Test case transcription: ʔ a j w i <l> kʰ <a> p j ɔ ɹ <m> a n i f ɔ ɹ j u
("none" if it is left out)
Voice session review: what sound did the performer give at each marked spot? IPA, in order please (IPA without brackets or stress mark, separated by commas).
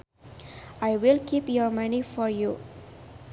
l, i, m